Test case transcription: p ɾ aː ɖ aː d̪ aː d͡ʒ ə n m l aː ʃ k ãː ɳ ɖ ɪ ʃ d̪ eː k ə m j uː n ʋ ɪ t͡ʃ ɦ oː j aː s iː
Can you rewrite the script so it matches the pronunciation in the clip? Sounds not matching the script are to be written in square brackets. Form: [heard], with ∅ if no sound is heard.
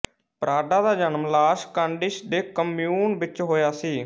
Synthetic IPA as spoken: p ɾ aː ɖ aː d̪ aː d͡ʒ ə n m l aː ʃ k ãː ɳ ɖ ɪ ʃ d̪ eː k ə m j uː n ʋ ɪ t͡ʃ ɦ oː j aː s iː